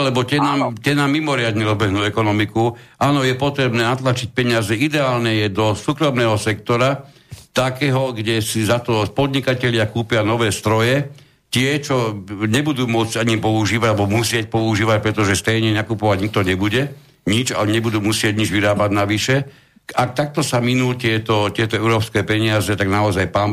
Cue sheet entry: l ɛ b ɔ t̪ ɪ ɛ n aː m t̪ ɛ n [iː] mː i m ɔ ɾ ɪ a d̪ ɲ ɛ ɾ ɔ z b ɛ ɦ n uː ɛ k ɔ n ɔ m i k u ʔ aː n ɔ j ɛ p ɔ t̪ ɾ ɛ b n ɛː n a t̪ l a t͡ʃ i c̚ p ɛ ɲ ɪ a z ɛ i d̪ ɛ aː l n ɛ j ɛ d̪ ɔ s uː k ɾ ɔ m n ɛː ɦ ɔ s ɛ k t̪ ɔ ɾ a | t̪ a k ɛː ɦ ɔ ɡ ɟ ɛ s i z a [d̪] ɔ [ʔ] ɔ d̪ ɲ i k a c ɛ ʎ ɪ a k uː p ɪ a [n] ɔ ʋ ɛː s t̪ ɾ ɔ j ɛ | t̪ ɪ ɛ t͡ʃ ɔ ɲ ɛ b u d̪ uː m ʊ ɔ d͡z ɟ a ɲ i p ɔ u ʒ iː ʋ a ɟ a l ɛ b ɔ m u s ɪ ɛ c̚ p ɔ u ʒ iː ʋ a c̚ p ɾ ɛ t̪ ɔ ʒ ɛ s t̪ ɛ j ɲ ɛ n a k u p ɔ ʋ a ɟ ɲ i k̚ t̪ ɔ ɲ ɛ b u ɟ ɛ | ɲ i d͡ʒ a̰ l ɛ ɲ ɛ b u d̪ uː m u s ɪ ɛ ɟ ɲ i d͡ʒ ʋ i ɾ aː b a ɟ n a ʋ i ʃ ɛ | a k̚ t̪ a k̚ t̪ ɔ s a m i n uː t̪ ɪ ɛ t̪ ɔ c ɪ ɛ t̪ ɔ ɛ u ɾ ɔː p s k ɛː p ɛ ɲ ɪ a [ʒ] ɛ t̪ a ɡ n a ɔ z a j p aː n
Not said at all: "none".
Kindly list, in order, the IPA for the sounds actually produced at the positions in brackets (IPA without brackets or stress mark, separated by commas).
aː, t̪, p, n, z